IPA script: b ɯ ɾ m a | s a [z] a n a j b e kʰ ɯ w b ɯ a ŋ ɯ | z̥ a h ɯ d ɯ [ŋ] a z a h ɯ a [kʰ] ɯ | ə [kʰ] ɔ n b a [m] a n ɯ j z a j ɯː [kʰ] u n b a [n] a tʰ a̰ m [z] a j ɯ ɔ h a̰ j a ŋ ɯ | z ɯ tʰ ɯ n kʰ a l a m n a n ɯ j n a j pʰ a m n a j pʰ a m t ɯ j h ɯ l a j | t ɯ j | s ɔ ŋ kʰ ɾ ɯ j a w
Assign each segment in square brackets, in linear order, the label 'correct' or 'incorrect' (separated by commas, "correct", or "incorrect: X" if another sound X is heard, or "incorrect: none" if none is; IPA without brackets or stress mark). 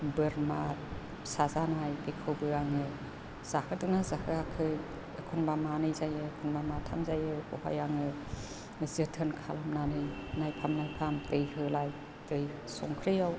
correct, incorrect: n, correct, correct, correct, correct, incorrect: m, correct